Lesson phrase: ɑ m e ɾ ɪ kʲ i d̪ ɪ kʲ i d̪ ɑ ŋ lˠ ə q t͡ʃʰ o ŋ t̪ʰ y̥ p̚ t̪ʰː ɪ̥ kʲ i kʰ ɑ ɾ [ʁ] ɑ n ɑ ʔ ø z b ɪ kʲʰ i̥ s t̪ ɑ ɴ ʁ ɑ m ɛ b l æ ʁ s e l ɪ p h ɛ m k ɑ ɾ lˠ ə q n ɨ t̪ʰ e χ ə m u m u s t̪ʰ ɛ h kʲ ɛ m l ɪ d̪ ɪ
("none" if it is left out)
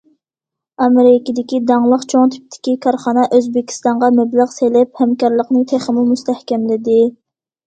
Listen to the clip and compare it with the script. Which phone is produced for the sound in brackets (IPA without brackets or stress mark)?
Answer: χ